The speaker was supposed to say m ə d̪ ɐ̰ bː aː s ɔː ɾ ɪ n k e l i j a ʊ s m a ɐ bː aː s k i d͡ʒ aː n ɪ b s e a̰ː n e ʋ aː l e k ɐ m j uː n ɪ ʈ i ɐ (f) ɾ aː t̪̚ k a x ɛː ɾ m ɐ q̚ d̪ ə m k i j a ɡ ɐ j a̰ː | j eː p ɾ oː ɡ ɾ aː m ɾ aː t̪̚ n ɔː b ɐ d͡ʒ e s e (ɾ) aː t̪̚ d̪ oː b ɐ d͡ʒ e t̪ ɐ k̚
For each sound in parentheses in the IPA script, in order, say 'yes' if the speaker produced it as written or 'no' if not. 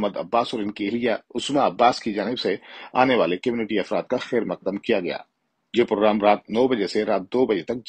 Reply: yes, yes

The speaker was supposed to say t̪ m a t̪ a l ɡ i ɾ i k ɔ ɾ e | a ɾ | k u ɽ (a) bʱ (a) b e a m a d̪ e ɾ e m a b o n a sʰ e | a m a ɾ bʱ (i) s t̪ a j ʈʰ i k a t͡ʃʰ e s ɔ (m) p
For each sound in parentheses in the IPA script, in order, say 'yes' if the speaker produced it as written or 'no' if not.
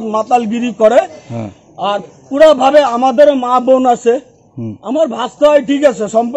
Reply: yes, yes, no, yes

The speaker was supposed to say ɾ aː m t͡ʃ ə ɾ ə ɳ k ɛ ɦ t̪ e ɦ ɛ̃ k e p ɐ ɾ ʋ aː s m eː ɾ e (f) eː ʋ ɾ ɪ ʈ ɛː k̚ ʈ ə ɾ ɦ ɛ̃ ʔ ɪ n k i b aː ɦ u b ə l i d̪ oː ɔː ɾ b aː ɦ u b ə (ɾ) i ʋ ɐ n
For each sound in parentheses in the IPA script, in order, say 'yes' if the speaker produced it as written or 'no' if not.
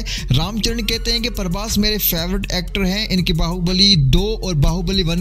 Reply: yes, no

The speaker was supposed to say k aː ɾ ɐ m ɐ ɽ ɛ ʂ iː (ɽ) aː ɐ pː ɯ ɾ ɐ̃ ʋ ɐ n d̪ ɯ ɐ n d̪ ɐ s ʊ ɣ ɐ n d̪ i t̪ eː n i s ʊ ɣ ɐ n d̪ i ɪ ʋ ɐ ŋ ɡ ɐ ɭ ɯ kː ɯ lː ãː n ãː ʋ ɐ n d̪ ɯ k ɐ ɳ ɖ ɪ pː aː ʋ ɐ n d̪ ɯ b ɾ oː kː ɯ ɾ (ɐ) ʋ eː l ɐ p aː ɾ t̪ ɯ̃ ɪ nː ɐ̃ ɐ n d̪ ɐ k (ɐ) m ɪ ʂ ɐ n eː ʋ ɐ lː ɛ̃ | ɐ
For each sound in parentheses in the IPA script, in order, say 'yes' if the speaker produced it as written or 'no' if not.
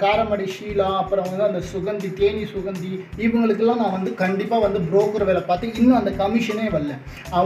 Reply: no, yes, yes

